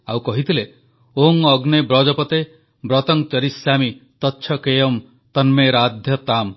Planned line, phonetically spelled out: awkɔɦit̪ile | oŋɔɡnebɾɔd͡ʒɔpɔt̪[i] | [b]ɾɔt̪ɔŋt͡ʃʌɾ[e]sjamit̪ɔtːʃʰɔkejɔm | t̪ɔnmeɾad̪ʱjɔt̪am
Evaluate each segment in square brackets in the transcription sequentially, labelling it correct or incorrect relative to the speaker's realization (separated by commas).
incorrect, correct, incorrect